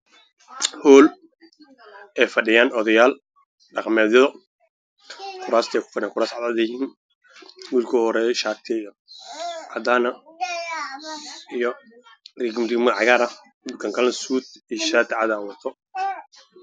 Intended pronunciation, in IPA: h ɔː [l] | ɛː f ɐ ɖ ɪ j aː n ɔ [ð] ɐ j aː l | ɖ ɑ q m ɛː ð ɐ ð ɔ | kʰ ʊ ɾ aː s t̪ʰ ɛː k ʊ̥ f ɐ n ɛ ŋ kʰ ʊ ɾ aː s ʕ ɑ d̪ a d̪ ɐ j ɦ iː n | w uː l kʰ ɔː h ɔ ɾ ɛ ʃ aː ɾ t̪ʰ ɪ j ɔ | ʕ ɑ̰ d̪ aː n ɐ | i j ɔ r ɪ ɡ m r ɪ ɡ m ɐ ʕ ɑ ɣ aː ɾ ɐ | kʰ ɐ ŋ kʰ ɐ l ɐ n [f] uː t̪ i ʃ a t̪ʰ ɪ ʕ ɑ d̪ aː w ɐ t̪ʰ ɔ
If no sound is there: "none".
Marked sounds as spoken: l, ð, s

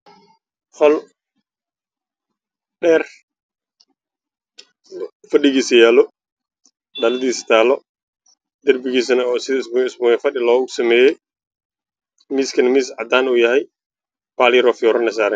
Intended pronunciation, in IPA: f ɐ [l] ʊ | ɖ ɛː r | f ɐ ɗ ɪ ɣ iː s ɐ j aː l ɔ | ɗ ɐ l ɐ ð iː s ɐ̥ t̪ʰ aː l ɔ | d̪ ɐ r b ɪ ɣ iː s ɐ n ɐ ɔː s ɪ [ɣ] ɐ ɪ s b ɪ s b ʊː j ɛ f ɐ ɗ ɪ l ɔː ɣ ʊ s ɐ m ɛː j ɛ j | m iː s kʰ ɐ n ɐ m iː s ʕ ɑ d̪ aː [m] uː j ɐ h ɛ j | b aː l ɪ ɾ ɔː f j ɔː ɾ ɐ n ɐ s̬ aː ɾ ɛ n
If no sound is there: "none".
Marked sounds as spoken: l, ð, n

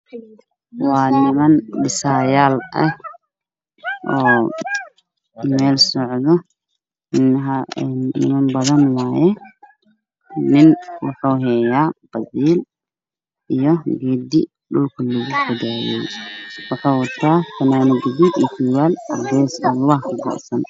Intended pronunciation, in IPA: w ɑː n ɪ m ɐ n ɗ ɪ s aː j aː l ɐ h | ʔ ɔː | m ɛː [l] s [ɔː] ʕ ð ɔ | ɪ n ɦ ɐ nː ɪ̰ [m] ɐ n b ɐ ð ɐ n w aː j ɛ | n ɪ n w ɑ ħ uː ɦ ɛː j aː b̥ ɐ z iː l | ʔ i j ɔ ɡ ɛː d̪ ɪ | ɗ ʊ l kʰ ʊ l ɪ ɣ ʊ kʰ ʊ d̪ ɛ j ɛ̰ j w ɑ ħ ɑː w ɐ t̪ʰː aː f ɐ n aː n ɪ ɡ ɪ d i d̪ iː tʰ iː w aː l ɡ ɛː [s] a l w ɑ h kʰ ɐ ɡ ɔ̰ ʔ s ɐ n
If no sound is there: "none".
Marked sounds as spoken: l, ɔ, m, s

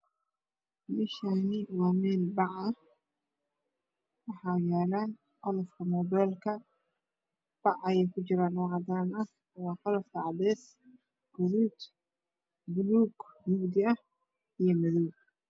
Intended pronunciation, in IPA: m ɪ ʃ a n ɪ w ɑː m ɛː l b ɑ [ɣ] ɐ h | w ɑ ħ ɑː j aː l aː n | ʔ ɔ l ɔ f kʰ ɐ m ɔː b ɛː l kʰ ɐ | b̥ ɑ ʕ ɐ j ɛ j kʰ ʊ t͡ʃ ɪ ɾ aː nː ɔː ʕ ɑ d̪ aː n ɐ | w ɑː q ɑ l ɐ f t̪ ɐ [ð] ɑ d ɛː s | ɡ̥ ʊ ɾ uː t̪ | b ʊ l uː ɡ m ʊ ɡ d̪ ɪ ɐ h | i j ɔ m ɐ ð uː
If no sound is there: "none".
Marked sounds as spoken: ʕ, ʕ

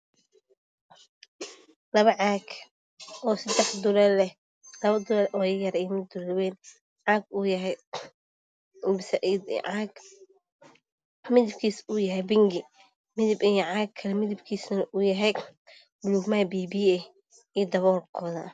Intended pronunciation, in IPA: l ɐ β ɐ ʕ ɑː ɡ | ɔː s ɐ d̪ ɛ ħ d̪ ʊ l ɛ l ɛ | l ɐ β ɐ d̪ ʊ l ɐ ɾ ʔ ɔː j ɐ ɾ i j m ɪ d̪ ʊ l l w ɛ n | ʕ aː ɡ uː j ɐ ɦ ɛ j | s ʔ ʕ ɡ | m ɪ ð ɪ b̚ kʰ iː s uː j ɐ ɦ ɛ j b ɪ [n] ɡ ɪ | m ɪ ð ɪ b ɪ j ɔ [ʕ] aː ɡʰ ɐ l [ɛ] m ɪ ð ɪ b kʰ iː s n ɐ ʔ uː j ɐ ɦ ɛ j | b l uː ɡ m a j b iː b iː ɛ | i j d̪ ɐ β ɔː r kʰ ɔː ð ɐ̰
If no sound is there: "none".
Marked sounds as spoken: ŋ, ʕ, ɛ

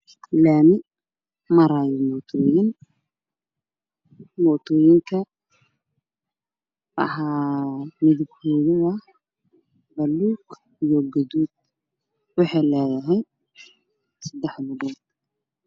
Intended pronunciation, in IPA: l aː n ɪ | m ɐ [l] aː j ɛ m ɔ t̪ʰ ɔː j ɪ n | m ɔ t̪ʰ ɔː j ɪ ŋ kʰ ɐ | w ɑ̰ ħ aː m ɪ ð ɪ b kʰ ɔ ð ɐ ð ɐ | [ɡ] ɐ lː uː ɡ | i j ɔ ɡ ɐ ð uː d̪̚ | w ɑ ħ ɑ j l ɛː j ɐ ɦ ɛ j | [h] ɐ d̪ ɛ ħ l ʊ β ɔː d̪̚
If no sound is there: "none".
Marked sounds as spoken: ɾ, b, s

